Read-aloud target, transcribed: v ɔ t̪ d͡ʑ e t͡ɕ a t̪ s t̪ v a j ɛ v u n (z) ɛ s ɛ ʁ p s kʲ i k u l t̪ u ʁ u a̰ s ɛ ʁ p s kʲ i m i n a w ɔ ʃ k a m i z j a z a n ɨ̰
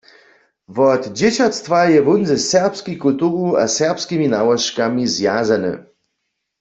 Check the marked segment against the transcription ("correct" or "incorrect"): correct